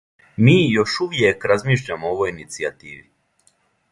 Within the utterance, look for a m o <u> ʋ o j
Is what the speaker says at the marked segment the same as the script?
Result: no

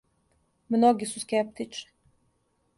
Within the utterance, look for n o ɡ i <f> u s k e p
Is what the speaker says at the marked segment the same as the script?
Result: no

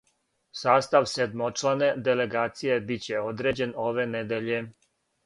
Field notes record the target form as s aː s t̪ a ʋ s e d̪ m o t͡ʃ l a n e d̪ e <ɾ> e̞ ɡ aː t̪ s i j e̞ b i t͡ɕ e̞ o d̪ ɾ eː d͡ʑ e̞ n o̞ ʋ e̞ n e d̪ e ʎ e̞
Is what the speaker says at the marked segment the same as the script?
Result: no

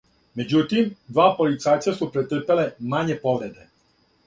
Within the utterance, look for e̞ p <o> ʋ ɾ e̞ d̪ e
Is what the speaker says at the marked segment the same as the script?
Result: yes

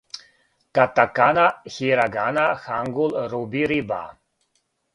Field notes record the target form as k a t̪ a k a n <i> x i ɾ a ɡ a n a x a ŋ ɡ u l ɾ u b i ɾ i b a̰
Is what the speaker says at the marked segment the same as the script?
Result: no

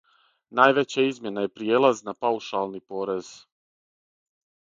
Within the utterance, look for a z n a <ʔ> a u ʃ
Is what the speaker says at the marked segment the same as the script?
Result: no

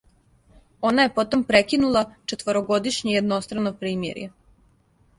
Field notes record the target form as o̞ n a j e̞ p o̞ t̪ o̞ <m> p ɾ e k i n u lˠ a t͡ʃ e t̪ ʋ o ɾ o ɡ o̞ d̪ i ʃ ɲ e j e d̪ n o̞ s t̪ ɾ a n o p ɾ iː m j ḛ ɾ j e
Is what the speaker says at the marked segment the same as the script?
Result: yes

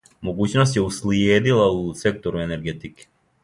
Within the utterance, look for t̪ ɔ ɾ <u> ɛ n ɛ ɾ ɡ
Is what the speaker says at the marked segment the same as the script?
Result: yes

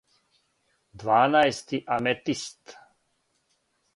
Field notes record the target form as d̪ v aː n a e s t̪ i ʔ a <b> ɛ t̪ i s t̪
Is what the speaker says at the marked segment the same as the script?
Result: no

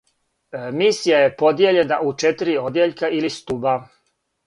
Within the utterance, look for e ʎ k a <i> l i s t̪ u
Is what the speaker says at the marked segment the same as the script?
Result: yes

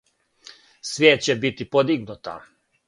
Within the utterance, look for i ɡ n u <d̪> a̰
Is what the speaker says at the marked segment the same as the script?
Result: no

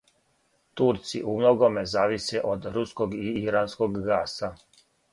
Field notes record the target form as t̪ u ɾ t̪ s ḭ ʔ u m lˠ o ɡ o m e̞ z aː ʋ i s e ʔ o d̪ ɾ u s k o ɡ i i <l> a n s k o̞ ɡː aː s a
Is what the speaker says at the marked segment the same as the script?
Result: no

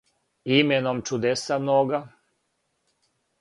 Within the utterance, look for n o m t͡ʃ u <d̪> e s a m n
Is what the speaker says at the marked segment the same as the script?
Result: yes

